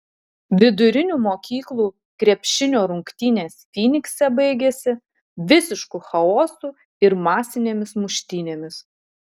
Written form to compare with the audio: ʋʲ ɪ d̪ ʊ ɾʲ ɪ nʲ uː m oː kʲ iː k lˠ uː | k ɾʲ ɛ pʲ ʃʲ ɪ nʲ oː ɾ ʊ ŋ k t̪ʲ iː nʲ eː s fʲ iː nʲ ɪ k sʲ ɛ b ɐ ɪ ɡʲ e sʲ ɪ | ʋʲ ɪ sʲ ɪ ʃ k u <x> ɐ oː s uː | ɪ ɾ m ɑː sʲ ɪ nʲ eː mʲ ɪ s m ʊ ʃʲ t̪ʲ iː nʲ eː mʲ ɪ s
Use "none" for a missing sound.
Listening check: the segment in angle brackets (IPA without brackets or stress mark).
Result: x